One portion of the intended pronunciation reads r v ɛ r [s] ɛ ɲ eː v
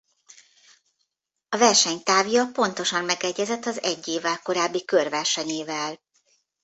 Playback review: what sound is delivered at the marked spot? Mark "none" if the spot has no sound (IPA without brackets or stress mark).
ʃ